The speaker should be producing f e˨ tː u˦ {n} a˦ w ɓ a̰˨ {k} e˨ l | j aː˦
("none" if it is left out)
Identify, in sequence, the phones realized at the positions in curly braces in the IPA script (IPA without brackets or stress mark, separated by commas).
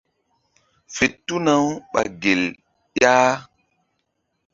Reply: n, ɡ